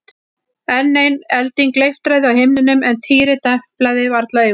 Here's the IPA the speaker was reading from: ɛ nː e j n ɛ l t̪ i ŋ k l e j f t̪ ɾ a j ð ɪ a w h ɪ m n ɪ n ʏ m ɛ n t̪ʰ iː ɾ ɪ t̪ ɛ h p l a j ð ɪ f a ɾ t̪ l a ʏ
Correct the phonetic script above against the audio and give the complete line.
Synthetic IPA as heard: ɛ nː e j n ɛ l t̪ i ŋ k l e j f t̪ ɾ a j ð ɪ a w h ɪ m n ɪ n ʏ m ɛ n t̪ʰ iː ɾ ɪ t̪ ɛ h p l a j ð ɪ v a ɾ t̪ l a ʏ